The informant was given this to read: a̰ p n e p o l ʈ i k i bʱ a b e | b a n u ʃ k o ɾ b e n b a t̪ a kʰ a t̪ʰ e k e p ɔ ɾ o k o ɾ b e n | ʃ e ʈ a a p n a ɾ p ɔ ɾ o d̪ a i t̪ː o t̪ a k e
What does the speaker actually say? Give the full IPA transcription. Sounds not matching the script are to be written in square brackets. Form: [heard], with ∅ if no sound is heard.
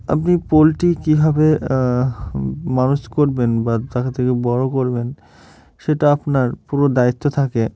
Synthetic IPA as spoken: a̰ p n [i] p o l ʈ i k i bʱ a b e | [m] a n u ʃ k o ɾ b e n b a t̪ a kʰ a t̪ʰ e k e [b] ɔ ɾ o k o ɾ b e n | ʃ e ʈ a a p n a ɾ p [u] ɾ o d̪ a i t̪ː o [t̪ʰ] a k e